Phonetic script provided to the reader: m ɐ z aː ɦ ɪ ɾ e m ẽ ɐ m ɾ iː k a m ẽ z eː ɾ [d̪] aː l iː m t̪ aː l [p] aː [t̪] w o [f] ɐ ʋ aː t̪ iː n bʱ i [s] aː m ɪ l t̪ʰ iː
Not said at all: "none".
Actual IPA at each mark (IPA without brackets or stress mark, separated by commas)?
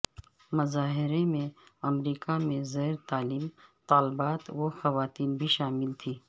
t̪, b, t̪, x, ʃ